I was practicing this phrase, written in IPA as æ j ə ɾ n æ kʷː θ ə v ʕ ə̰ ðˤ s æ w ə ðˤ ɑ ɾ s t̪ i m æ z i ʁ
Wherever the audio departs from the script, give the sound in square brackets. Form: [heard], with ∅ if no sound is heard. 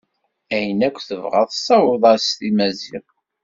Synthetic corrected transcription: æ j ə [∅] n æ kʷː θ ə v [ʁ] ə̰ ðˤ s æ w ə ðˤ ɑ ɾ s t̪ i m æ z i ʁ